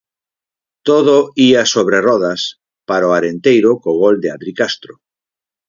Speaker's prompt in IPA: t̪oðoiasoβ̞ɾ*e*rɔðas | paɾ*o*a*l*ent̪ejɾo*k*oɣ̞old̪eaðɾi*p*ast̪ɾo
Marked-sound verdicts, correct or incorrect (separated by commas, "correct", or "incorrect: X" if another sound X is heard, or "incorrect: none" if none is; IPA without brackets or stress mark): correct, correct, incorrect: ɾ, correct, incorrect: k